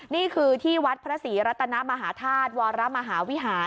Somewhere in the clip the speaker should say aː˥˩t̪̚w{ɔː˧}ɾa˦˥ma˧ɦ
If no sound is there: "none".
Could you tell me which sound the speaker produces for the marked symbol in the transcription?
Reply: ɔː˧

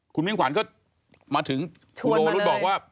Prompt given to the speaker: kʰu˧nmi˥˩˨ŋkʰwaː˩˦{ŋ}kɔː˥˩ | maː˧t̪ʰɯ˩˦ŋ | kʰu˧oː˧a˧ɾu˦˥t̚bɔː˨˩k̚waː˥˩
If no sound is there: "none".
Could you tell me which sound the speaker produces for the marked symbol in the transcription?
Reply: n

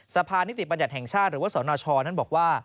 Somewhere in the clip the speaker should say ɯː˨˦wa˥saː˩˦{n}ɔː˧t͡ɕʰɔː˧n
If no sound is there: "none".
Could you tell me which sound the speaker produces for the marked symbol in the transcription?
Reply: n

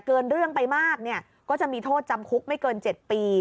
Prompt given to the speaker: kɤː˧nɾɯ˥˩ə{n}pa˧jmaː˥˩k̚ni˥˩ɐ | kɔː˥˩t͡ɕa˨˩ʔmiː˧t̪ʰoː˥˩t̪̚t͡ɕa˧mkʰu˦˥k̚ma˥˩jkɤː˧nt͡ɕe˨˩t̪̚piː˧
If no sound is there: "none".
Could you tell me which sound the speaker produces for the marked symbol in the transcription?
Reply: ŋ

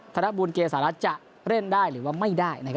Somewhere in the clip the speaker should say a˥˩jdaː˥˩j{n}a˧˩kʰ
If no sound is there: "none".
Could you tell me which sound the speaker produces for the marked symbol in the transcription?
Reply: n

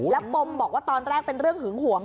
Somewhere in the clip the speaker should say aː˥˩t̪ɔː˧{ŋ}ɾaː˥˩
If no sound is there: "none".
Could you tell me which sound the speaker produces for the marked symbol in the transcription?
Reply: n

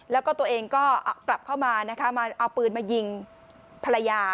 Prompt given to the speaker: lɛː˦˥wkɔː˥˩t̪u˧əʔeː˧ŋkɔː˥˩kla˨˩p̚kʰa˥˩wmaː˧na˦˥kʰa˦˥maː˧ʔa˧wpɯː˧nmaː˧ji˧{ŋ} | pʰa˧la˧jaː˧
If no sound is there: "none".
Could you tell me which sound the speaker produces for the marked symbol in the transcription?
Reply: ŋ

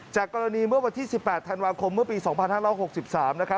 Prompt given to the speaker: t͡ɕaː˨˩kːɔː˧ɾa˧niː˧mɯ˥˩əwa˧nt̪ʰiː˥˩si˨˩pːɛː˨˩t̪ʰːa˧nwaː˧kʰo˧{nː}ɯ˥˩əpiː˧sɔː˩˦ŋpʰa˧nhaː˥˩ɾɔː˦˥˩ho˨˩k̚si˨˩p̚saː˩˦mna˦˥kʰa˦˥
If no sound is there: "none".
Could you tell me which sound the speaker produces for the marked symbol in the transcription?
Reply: mː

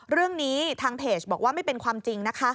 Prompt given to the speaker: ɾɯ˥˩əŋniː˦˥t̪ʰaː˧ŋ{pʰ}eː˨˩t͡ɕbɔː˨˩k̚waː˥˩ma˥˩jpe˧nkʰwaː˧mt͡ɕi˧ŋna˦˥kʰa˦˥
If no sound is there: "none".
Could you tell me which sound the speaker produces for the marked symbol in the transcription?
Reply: pʰ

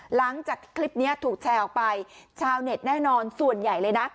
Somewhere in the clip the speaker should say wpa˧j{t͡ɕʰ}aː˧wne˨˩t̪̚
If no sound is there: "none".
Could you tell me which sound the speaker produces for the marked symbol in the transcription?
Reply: t͡ɕʰ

